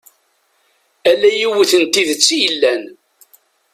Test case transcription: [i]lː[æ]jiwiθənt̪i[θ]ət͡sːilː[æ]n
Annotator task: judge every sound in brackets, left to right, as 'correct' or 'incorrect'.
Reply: incorrect: æ, correct, incorrect: ð, correct

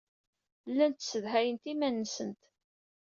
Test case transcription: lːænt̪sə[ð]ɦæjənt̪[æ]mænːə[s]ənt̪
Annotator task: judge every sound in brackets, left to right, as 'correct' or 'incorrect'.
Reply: correct, incorrect: i, correct

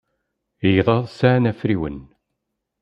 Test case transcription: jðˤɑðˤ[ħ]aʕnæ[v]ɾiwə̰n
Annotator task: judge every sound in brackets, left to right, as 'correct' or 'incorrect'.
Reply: incorrect: s, incorrect: f

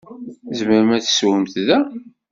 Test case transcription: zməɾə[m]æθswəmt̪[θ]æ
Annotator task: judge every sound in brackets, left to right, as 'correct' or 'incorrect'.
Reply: correct, incorrect: ð

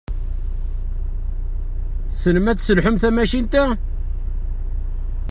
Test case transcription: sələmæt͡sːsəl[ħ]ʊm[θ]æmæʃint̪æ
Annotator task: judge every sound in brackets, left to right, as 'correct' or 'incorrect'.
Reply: correct, correct

